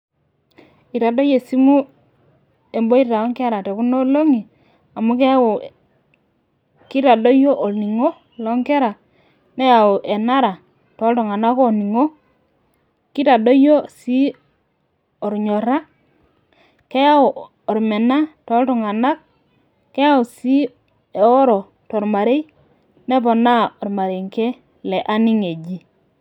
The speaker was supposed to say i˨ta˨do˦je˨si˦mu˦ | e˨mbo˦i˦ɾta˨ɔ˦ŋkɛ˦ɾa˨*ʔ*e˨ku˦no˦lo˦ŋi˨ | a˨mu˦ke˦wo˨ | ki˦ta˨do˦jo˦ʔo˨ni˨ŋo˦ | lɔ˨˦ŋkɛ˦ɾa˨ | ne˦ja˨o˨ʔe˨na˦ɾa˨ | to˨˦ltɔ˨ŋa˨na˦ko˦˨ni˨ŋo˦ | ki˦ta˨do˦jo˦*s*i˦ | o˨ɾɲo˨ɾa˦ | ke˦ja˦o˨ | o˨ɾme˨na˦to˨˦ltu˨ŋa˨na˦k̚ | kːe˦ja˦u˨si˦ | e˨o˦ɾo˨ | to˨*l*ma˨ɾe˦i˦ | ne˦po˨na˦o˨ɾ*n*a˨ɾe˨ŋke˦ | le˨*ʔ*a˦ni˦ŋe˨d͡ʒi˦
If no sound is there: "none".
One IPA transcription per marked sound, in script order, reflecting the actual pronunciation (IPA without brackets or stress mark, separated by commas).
t, s, ɾ, m, ʔ